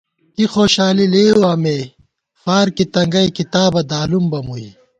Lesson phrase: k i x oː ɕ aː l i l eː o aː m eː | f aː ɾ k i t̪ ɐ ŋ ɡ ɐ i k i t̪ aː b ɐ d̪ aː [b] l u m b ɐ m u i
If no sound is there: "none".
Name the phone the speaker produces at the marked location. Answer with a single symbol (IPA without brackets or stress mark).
none